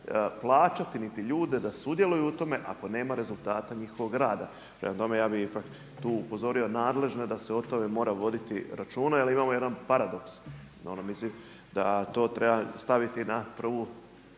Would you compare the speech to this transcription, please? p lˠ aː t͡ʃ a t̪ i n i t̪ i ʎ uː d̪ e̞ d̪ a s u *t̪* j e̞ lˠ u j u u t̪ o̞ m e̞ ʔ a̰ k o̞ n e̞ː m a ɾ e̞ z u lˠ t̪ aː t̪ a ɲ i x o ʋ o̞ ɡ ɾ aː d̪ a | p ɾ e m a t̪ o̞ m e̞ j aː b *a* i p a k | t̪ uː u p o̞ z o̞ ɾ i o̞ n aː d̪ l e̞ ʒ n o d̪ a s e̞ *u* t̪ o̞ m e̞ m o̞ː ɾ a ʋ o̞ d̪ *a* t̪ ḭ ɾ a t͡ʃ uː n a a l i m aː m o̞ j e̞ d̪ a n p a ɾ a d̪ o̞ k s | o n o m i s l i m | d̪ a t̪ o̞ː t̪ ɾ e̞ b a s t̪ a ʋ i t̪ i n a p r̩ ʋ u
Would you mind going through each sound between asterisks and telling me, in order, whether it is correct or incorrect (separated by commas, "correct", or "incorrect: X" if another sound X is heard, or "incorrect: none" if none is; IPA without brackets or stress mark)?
incorrect: d̪, incorrect: i, incorrect: o, incorrect: i